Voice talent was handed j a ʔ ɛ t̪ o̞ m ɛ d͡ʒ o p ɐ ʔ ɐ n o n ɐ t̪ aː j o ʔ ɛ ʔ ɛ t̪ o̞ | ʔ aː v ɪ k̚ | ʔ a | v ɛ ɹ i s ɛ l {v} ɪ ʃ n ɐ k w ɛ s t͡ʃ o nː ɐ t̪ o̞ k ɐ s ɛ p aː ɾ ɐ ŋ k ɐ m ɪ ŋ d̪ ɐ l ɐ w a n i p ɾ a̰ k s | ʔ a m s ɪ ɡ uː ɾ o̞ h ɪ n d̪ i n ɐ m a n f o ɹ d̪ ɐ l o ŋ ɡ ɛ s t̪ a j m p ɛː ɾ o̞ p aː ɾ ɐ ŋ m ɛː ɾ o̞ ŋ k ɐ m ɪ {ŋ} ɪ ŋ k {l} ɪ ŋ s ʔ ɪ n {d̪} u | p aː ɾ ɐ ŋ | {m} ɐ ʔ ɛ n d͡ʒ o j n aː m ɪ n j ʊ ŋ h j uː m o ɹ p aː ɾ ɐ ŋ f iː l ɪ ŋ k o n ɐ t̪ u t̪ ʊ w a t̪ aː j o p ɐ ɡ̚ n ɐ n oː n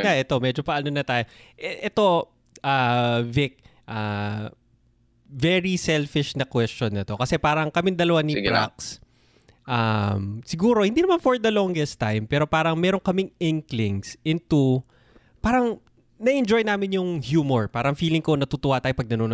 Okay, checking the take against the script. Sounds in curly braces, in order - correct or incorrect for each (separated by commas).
incorrect, correct, correct, incorrect, incorrect